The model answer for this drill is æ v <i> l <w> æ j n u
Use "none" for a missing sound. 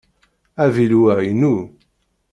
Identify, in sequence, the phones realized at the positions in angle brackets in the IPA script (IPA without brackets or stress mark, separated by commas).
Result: i, w